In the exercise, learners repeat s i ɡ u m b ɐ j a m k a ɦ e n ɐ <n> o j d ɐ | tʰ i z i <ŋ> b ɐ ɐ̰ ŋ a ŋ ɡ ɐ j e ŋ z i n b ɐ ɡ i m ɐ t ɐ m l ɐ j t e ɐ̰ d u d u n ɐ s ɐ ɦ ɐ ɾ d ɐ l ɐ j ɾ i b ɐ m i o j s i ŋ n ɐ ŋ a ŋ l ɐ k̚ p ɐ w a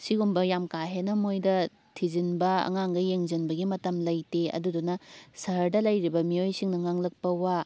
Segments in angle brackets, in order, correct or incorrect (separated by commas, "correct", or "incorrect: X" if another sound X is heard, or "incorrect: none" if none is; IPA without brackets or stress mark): incorrect: m, incorrect: n